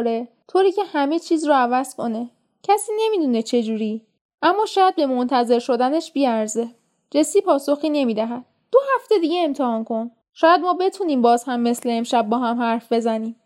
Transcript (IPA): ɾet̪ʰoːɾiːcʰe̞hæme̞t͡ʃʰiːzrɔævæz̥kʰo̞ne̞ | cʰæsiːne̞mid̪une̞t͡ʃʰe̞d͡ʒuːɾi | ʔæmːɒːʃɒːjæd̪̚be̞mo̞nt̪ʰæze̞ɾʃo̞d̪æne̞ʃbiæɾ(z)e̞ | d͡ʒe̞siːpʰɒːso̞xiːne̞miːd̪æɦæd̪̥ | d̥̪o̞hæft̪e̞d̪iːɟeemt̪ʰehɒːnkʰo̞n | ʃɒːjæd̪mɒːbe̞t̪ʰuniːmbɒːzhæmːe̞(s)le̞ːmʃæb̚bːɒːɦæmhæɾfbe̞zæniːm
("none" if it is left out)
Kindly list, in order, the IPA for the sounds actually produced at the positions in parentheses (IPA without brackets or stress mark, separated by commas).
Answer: z, s